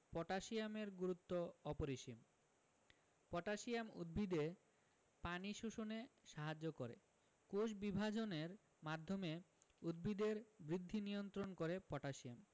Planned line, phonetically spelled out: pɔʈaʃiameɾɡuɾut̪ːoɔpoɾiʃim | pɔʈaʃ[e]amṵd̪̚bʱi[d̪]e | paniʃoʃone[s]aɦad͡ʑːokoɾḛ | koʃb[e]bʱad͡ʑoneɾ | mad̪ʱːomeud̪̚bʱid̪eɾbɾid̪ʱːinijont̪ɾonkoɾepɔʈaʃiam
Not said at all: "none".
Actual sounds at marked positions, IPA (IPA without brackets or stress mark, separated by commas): i, d̪, ʃ, i